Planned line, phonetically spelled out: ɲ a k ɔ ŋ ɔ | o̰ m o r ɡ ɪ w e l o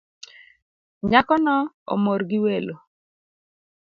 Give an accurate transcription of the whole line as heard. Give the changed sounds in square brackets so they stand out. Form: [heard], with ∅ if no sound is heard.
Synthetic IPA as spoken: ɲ a k ɔ [n] ɔ | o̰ m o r ɡ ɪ w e l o

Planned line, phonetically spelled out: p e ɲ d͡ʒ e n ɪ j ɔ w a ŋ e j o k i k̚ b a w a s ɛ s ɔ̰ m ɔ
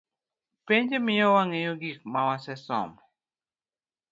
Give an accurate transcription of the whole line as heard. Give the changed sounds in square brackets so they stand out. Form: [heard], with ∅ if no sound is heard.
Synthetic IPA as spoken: p e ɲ d͡ʒ e [m] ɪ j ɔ w a ŋ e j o [ɡ] i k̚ [m] a w a s ɛ s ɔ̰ m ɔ

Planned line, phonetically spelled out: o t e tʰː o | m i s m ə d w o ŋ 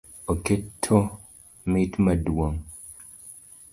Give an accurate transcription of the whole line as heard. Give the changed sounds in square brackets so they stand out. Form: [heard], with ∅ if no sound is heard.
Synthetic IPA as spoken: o [k] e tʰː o | m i [t] m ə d w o ŋ

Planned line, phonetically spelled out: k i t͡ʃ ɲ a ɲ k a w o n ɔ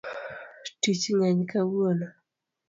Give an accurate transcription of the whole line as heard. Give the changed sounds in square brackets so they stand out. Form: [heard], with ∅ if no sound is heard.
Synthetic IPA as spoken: [t] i t͡ʃ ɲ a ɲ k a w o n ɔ

